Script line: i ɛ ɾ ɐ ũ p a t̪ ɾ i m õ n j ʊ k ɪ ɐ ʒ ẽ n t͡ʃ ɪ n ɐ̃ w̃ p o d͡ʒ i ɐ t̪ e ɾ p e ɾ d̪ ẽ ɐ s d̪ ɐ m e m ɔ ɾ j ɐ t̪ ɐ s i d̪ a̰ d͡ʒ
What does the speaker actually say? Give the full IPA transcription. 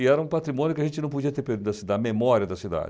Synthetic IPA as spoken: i ɛ ɾ ɐ ũ p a t̪ ɾ i m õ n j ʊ k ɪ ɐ ʒ ẽ n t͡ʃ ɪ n ɐ̃ w̃ p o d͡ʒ i ɐ t̪ e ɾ p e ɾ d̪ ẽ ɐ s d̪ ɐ m e m ɔ ɾ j ɐ d̪ ɐ s i d̪ a̰ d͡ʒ